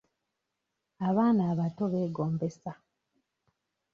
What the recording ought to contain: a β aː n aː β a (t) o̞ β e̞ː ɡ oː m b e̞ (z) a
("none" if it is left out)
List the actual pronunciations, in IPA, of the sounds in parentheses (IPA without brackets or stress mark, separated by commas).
t, s